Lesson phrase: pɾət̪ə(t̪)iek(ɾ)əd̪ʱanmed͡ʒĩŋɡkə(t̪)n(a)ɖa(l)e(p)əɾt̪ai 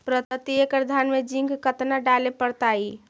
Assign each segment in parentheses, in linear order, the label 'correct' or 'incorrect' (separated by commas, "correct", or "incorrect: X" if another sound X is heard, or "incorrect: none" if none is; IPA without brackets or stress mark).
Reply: correct, correct, correct, correct, correct, correct